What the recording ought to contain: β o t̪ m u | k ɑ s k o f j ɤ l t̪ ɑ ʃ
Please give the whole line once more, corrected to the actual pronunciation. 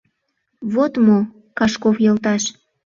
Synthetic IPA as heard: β o t̪ m o | k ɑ ʃ k o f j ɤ l t̪ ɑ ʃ